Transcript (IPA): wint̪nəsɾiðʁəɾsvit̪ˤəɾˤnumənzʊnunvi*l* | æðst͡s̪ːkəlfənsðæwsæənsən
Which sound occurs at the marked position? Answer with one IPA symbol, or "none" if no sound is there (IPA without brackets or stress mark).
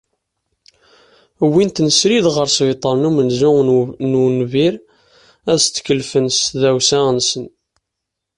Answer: ɾ